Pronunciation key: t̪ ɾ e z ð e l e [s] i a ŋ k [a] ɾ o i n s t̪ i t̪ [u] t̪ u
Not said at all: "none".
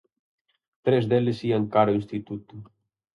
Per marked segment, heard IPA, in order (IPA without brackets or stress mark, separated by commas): s, a, u